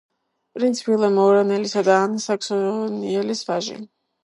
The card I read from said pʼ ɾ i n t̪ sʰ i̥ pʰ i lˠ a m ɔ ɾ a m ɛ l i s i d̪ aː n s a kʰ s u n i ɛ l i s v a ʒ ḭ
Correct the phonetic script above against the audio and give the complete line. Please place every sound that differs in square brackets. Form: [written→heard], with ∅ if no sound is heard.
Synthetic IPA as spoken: pʼ ɾ i n t̪ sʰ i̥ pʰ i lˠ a m ɔ ɾ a [m→n] ɛ l i s [i→a] d̪ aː n s a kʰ s [u→ɔ] n i ɛ l i s v a ʒ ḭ